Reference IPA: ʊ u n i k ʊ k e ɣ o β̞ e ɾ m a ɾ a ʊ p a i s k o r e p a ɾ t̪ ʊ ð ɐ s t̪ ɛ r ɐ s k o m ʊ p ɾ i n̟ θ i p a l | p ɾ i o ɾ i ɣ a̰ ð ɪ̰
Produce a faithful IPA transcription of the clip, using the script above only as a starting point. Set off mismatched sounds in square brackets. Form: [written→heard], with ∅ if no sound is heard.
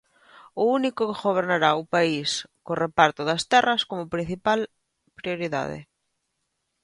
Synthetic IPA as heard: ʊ u n i k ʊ k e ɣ o β̞ e ɾ [m→n] a ɾ a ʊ p a i s k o r e p a ɾ t̪ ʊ ð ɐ s t̪ ɛ r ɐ s k o m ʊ p ɾ i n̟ θ i p a l | p ɾ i o ɾ i [ɣ→ð] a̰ ð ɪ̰